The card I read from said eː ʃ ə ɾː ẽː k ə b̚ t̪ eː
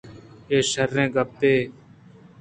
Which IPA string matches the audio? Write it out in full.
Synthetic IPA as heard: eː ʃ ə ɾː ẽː ɡ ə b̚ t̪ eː